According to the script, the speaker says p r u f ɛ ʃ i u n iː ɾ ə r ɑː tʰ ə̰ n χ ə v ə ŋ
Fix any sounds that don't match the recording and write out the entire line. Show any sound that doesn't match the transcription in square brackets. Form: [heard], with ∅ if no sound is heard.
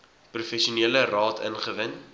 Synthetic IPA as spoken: p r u f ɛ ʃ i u n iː [l] ə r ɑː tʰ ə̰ n χ ə v ə [n]

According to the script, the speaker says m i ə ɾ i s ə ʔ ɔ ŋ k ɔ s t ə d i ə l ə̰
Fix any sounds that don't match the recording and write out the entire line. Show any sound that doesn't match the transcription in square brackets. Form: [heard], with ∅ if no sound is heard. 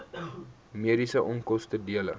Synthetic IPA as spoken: m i ə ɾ i s ə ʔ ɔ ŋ k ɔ s t ə d i ə l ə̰

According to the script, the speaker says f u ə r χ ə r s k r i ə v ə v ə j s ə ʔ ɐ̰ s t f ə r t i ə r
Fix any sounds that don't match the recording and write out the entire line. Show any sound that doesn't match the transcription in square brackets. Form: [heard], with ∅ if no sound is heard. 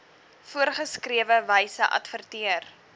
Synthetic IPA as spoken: f u ə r χ ə [∅] s k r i ə v ə v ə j s ə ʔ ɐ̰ [∅] t f ə r t i ə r

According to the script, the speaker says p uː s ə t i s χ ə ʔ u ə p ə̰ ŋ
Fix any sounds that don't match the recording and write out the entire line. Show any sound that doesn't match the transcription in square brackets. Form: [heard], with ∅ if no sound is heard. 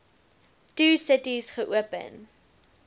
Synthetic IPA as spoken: [t] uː s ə t i s χ ə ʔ u ə p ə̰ [n]

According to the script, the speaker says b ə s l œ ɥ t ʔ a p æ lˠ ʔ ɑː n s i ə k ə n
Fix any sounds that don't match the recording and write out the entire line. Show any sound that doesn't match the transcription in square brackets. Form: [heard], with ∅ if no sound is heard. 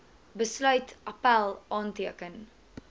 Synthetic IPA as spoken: b ə s l œ ɥ t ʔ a p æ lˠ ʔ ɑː n [t] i ə k ə n

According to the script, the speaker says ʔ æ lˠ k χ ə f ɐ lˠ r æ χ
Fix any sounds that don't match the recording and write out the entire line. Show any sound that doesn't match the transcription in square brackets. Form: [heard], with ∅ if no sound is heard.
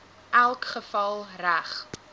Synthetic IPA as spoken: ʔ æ lˠ k χ ə f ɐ lˠ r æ χ

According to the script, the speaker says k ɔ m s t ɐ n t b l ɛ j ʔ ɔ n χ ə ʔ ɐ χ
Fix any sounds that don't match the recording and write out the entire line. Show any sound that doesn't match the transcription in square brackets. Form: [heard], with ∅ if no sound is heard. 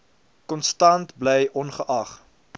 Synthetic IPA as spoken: k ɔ [n] s t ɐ n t b l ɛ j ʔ ɔ n χ ə ʔ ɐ χ

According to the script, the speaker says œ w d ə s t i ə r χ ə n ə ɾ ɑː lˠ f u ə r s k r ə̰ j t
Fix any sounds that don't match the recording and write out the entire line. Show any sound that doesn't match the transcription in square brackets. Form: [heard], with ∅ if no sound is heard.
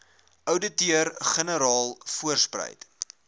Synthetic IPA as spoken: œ w d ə [∅] t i ə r χ ə n ə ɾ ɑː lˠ f u ə r s [p] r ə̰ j t

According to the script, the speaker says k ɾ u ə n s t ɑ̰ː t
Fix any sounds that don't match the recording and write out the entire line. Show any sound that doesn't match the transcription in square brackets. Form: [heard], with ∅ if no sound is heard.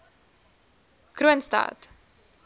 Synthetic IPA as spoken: k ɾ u ə n s t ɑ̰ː t

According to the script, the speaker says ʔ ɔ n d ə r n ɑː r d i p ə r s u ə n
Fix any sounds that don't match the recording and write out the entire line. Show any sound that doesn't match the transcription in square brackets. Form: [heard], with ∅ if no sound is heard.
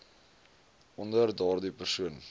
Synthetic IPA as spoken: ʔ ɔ n d ə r [d] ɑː r d i p ə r s u ə n

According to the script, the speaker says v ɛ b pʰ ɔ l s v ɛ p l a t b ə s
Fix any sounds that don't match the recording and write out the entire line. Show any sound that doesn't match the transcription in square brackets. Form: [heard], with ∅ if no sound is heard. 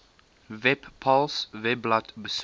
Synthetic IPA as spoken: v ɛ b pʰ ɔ l s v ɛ [b] l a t b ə s

